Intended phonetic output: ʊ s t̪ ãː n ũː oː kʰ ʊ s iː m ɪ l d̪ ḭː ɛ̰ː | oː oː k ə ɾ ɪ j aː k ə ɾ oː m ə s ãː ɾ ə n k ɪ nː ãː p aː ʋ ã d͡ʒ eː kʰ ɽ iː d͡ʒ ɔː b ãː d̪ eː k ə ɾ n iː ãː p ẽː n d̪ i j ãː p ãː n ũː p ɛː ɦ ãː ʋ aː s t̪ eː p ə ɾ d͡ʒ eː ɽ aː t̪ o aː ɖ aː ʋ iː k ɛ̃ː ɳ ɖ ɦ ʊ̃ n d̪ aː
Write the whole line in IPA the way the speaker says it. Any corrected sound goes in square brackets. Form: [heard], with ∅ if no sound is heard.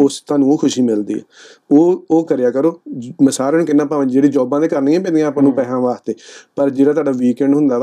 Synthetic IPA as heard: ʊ s t̪ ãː n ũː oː kʰ ʊ [ʃ] iː m ɪ l d̪ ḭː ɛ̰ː | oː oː k ə ɾ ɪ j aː k ə ɾ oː m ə s [aː] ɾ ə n k ɪ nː ãː p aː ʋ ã d͡ʒ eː [∅] ɽ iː d͡ʒ ɔː b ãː d̪ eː k ə ɾ n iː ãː p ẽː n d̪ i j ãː p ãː n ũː p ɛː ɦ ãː ʋ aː s t̪ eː p ə ɾ d͡ʒ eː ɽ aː t̪ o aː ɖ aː ʋ iː k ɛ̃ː ɳ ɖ ɦ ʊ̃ n d̪ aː